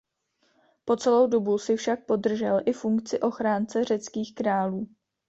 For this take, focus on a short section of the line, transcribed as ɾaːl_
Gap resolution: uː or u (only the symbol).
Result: uː